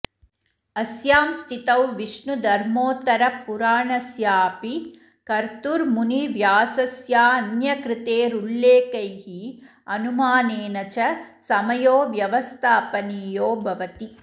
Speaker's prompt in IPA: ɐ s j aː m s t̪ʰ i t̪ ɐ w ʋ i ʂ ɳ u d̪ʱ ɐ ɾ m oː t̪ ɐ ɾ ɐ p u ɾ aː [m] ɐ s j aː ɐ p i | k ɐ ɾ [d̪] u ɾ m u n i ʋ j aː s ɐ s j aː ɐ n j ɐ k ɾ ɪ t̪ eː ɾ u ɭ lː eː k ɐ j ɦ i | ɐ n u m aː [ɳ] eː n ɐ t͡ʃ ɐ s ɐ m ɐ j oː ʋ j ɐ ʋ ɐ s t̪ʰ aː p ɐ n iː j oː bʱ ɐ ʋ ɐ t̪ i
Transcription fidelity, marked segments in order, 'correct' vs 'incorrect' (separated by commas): incorrect, incorrect, incorrect